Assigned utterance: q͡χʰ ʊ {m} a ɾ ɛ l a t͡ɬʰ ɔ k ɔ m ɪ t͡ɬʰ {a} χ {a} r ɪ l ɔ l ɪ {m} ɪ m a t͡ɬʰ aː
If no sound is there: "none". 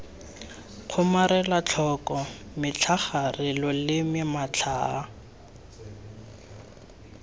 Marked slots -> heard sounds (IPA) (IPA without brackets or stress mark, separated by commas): m, a, a, m